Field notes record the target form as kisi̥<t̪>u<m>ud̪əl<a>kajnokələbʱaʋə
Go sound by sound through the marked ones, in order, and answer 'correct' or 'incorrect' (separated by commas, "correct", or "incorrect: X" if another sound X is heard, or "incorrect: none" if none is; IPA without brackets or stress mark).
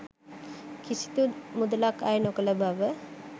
correct, correct, correct